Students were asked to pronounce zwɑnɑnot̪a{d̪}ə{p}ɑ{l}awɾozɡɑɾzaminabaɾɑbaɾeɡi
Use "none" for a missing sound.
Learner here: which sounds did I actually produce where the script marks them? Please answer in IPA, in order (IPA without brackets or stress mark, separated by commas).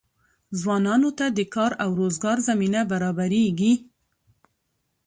d̪, k, ɾ